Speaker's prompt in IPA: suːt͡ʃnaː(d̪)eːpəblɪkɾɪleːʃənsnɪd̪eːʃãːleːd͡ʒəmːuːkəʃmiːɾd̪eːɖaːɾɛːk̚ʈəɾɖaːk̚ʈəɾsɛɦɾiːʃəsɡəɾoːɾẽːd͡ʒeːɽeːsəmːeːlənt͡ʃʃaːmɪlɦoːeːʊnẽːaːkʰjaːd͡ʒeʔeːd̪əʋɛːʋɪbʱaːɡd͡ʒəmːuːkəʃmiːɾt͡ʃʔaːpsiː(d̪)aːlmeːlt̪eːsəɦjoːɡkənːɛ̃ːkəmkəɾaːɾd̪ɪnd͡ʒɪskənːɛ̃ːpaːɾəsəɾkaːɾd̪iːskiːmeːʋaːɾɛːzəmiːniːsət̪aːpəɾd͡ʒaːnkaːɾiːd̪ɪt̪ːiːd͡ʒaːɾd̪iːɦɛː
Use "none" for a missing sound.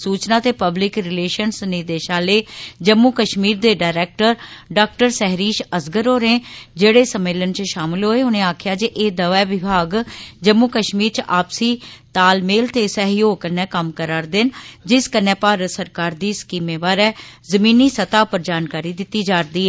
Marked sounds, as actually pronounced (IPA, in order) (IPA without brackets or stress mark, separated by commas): t̪, t̪